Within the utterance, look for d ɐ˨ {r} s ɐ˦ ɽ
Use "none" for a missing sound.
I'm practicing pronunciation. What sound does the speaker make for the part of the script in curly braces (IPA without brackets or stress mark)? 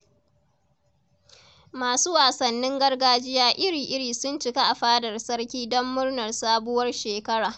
r